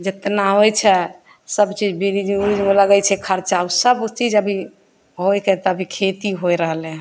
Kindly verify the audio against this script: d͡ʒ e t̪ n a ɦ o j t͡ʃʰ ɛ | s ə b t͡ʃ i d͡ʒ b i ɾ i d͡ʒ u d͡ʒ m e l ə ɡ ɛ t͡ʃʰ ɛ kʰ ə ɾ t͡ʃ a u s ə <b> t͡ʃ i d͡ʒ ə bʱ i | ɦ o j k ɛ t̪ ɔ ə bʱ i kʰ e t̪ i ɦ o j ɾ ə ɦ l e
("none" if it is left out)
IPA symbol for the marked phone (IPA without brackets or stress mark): b